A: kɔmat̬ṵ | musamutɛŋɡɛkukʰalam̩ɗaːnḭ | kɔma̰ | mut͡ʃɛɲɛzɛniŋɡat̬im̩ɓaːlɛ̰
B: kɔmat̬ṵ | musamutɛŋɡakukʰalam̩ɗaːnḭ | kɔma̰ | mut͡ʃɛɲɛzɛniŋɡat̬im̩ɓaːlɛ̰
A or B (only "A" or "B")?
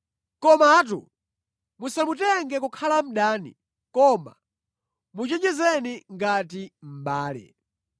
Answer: A